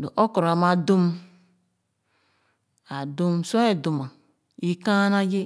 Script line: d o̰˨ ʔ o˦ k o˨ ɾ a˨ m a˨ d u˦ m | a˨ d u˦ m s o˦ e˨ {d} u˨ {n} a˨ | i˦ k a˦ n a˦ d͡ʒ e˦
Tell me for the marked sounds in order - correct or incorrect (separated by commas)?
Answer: correct, incorrect